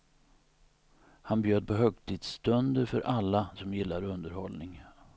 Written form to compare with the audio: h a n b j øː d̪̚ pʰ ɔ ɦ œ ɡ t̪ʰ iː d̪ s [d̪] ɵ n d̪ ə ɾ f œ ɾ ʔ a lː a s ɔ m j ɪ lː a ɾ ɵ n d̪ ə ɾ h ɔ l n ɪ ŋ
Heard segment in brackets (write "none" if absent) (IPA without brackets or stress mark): t̪